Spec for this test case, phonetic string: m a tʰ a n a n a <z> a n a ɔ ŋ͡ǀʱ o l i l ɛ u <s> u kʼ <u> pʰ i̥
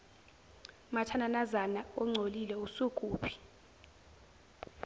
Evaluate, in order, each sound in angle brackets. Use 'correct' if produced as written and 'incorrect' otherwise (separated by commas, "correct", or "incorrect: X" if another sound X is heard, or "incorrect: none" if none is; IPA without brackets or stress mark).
correct, correct, incorrect: uː